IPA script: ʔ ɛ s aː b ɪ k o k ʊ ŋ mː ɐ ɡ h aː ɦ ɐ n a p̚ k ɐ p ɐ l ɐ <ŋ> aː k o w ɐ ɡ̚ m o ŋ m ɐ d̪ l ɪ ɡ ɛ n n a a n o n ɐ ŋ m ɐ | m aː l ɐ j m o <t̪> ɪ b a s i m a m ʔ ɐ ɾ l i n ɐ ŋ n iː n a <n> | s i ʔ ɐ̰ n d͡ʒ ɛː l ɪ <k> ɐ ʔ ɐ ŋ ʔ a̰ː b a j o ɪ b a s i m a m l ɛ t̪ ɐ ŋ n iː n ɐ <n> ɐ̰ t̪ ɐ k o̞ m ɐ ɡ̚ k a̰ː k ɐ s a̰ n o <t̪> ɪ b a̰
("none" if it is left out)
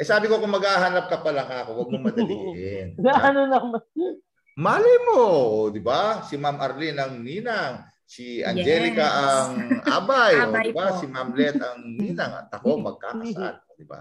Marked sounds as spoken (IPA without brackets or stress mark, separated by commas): ŋ, d̪, ŋ, k, ŋ, d̪